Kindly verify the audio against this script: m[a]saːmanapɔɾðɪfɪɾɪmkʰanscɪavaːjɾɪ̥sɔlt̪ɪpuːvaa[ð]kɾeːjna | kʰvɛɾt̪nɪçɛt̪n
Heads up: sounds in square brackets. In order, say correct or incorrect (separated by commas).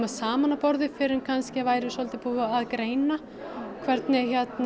correct, correct